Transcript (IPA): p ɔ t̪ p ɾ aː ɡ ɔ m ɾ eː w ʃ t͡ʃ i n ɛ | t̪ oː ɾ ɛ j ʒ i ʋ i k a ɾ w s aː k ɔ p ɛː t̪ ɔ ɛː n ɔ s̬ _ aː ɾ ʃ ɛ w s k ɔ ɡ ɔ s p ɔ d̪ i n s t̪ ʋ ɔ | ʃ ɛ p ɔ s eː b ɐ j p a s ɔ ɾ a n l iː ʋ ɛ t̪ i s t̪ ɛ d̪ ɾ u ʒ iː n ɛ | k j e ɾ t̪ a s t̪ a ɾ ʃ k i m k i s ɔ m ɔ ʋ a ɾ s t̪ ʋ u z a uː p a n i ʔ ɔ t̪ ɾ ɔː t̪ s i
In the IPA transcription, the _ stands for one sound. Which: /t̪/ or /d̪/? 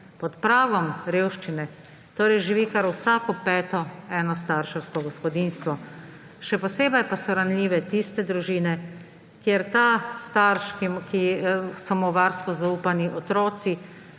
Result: t̪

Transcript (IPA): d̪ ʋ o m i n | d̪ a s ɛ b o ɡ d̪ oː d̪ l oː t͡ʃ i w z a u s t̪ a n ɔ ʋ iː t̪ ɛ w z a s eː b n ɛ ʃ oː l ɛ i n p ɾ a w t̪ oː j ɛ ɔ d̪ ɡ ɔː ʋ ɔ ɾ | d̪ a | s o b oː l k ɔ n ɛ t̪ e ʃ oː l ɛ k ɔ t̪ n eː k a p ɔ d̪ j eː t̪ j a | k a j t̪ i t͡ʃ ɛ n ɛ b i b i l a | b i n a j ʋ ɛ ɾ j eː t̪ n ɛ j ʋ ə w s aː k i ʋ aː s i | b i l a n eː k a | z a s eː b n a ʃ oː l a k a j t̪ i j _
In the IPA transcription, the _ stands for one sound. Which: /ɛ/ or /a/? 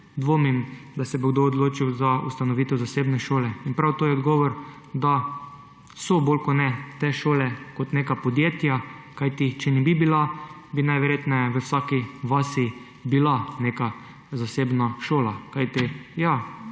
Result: a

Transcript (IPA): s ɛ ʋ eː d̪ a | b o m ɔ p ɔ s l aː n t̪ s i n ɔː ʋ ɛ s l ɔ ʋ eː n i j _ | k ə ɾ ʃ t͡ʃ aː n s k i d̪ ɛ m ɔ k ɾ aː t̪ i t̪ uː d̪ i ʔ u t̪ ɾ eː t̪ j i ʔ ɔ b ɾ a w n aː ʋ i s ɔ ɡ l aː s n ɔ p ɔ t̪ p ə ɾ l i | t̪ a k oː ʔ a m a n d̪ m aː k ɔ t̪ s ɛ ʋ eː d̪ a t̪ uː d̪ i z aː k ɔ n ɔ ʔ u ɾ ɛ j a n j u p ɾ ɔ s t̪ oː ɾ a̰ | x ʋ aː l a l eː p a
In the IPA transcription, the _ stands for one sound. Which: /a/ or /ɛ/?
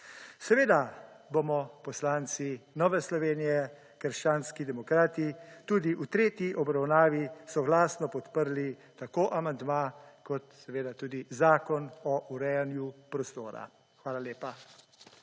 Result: ɛ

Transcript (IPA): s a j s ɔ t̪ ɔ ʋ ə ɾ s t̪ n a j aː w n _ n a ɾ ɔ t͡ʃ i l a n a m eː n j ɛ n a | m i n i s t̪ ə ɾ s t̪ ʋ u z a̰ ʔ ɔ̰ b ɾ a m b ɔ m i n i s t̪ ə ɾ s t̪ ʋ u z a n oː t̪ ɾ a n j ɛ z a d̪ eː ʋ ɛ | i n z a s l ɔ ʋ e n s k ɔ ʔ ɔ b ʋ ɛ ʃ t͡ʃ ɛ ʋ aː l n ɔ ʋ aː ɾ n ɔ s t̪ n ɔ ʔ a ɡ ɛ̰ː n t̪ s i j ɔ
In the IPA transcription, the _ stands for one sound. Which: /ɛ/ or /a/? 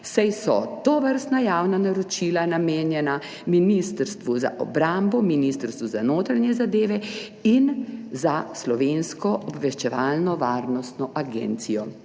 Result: a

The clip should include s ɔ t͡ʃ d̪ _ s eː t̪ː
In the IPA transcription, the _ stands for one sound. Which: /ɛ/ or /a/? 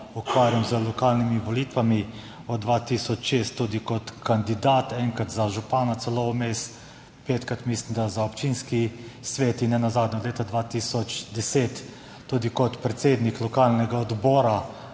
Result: ɛ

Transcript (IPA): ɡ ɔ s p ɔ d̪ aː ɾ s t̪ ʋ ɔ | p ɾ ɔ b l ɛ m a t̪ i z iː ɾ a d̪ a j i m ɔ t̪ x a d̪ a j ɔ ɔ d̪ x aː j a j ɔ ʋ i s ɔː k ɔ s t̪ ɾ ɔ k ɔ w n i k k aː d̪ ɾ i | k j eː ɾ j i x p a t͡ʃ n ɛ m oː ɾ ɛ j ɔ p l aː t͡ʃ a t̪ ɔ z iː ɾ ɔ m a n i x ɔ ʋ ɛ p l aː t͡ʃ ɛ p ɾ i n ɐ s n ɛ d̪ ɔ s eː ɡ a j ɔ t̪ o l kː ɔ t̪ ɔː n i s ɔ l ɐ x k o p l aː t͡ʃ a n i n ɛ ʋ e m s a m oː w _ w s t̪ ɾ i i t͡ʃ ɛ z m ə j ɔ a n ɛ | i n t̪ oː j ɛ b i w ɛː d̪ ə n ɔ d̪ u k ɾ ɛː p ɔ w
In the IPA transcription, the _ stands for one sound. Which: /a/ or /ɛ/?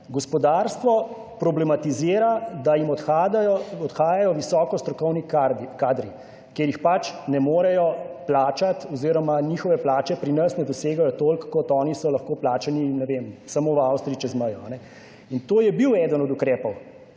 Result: a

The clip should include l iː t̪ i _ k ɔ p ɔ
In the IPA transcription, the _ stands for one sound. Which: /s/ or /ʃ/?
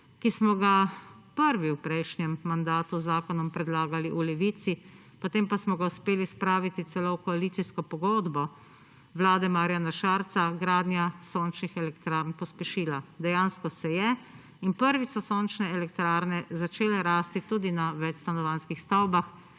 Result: s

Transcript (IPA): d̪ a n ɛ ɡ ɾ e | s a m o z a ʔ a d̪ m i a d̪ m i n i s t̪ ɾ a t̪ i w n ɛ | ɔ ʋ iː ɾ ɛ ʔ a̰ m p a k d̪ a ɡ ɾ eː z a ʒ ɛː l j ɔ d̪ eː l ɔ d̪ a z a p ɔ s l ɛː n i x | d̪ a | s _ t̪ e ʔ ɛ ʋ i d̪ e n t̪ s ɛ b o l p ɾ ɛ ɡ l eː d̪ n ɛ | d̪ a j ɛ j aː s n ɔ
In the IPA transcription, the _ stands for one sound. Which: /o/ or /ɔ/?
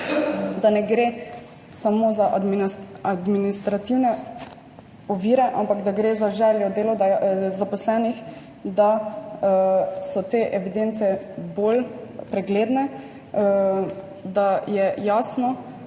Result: ɔ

